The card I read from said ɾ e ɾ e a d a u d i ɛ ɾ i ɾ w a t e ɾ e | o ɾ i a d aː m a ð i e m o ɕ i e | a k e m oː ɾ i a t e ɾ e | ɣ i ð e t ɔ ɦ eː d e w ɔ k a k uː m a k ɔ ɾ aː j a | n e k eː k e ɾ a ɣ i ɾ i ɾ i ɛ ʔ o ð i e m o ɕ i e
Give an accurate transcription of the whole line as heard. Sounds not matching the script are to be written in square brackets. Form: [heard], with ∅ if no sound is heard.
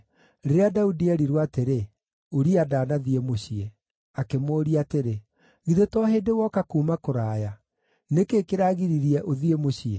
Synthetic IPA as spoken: ɾ e ɾ e a d a u d i ɛ ɾ i ɾ w a t e ɾ e | o ɾ i a d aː [n] a ð i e m o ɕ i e | a k e m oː ɾ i a t e ɾ e | ɣ i ð e t ɔ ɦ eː d e w ɔ k a k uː m a k [o] ɾ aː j a | n e k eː k e ɾ a ɣ i ɾ i ɾ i ɛ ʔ o ð i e m o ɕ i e